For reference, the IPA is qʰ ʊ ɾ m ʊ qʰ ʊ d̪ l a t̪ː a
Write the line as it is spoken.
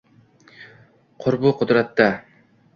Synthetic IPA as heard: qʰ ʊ ɾ b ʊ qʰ ʊ d̪ ɾ a t̪ː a